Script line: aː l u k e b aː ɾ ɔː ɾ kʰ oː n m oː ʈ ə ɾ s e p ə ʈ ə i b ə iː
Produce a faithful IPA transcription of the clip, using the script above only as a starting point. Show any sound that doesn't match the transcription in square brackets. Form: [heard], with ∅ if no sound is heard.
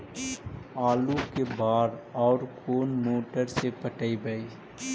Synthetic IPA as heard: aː l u k e b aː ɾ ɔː ɾ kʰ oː n m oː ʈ ə ɾ s e p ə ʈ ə i b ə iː